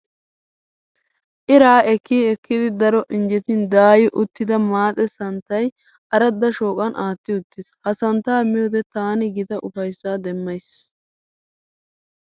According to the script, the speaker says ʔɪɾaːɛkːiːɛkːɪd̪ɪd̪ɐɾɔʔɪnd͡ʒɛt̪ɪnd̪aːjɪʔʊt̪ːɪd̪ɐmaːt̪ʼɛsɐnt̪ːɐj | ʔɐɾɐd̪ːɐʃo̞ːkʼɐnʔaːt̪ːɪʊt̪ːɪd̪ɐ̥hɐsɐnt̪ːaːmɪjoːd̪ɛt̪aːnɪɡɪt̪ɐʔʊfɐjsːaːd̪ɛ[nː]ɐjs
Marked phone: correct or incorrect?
incorrect